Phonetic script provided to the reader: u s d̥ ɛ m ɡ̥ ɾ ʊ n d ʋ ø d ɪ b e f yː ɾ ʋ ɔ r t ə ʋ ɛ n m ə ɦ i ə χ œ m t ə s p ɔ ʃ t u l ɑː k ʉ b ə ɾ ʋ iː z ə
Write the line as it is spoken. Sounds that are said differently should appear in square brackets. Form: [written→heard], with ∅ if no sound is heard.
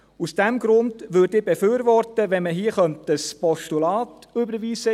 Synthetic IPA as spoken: u s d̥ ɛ m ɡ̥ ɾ ʊ n d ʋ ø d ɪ b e f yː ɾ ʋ ɔ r t ə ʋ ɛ n m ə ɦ i ə χ œ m t ə s p ɔ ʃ t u l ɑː [k→t] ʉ b ə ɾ ʋ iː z ə